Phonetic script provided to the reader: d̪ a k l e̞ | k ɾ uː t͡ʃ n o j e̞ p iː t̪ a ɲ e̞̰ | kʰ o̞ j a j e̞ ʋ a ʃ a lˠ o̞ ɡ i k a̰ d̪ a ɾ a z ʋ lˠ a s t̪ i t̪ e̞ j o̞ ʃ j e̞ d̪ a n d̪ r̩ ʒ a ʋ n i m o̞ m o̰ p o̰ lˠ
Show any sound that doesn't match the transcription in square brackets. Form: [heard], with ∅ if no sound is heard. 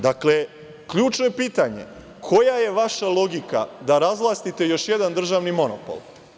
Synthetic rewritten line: d̪ a k l e̞ | k [ʎ] uː t͡ʃ n o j e̞ p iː t̪ a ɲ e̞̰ | kʰ o̞ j a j e̞ ʋ a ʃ a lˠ o̞ ɡ i k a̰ d̪ a ɾ a z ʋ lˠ a s t̪ i t̪ e̞ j o̞ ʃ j e̞ d̪ a n d̪ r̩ ʒ a ʋ n i m o̞ [n] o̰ p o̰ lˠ